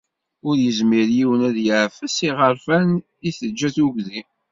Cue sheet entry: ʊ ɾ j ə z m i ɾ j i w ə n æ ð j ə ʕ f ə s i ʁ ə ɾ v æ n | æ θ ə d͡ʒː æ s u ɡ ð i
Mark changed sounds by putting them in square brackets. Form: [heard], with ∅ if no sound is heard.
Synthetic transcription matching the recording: ʊ ɾ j ə z m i ɾ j i w ə n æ ð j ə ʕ f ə s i ʁ ə ɾ [f] æ n | [i] θ ə d͡ʒː æ [θ] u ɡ ð i